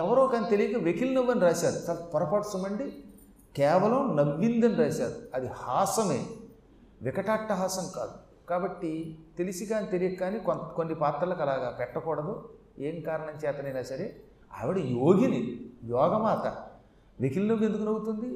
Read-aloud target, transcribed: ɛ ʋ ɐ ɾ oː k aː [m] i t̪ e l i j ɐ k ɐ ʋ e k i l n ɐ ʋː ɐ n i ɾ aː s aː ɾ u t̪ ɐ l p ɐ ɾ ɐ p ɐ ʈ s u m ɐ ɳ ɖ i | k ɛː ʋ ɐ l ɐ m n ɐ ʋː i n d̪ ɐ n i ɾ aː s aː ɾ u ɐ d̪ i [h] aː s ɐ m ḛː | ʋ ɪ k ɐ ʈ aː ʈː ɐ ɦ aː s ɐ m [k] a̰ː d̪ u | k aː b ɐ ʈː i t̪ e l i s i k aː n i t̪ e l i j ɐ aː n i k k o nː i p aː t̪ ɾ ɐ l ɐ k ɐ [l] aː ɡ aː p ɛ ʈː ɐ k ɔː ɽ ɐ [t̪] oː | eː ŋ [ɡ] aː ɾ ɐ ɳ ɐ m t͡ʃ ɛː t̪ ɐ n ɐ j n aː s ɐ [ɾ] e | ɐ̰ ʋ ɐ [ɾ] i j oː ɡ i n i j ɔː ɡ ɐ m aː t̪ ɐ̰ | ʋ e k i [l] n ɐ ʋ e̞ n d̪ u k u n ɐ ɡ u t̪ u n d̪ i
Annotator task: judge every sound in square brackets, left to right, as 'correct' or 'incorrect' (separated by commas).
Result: incorrect, correct, correct, correct, incorrect, incorrect, correct, incorrect, correct